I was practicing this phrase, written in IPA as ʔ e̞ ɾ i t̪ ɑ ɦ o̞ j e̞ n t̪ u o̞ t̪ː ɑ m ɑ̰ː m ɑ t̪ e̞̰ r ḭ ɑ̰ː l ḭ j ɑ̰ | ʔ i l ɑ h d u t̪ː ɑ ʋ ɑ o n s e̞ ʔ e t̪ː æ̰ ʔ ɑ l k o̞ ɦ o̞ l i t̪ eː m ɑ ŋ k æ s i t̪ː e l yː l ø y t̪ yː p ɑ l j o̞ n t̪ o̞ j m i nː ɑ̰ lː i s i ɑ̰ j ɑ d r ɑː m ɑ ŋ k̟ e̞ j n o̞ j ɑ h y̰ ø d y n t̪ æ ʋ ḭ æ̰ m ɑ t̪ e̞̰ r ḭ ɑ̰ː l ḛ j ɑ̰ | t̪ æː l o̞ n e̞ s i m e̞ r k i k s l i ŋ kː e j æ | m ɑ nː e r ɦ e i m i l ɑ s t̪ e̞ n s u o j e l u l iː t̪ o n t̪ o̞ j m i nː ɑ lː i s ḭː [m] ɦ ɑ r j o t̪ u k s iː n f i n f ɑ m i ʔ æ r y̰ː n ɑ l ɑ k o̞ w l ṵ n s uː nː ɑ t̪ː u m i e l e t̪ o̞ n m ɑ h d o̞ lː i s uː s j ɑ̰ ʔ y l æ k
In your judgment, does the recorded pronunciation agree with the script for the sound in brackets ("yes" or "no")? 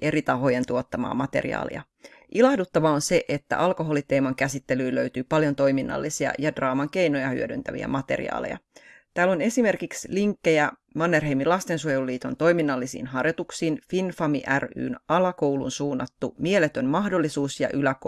no